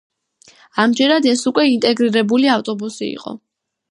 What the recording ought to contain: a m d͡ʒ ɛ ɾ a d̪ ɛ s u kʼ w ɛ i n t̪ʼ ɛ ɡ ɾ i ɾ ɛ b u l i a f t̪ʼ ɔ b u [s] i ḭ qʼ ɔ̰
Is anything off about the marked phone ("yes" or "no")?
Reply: no